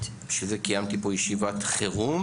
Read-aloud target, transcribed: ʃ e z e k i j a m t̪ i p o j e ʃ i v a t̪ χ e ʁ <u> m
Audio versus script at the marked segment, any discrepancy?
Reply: no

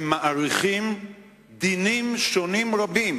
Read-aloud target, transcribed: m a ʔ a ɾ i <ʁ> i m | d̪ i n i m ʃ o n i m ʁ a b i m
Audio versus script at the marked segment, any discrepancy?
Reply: yes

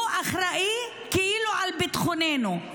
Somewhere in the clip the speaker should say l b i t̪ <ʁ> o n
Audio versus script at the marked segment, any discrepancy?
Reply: yes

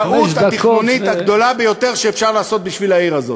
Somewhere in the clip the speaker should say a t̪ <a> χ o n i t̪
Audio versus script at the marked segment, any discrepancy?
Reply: yes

